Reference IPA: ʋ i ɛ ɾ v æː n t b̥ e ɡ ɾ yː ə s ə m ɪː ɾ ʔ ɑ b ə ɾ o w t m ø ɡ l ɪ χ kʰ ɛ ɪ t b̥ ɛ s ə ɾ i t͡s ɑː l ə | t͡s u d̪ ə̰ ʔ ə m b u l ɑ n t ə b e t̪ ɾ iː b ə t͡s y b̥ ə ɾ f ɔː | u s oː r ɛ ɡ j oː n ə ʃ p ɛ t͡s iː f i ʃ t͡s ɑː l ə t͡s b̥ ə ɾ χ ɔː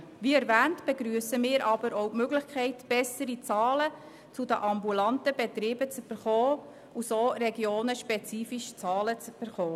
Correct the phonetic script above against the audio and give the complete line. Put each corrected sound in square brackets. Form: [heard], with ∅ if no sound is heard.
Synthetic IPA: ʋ i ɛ ɾ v æː n t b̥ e ɡ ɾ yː ə s ə m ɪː ɾ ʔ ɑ b ə ɾ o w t m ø ɡ l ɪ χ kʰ ɛ ɪ t b̥ ɛ s ə ɾ i t͡s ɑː l ə | t͡s u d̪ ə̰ ʔ [ɑ] m b u l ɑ n t ə b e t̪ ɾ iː b ə t͡s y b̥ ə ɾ [χ] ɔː | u s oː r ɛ ɡ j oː n ə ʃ p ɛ t͡s iː f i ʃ t͡s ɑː l ə t͡s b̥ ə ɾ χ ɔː